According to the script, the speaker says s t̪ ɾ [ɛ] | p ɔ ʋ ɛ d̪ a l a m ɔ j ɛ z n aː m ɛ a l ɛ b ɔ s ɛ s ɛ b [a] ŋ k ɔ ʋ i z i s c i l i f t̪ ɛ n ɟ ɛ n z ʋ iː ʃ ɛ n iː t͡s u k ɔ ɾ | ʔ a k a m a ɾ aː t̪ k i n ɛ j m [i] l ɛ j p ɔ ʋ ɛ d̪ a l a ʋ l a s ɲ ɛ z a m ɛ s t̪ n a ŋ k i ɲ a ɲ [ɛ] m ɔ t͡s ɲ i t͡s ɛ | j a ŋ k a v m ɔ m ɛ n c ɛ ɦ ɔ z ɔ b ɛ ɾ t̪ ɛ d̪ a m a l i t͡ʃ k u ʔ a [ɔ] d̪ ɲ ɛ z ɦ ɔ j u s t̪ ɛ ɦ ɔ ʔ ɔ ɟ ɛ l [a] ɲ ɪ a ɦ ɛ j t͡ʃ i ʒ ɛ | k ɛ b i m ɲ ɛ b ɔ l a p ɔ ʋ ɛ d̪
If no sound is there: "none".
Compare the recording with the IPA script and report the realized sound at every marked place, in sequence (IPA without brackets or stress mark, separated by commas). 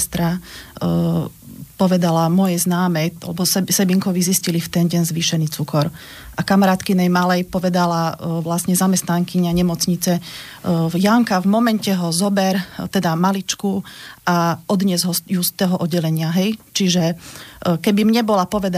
a, i, a, ɛ, ɔ, ɛ